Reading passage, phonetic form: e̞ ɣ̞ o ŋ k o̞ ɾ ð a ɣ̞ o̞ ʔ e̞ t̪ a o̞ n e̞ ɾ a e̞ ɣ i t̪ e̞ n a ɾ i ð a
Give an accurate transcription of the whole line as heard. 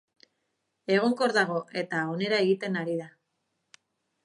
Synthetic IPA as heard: e̞ ɣ̞ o ŋ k o̞ ɾ ð a ɣ̞ o̞ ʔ e̞ t̪ a o̞ n e̞ ɾ a e̞ ɣ i t̪ e̞ n a ɾ i ð a